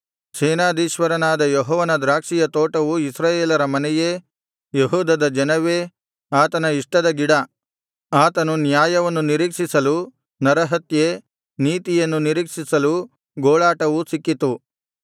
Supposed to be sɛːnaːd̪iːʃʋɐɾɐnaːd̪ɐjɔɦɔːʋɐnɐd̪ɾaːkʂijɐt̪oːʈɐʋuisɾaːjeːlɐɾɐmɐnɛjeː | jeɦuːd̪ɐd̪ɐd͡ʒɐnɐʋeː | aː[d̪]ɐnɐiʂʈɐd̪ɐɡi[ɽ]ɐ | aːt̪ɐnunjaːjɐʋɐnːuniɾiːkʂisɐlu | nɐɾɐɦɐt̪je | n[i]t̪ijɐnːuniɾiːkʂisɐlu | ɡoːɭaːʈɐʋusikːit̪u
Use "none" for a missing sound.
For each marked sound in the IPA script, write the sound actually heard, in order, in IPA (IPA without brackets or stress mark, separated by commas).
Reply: t̪, ɽ, iː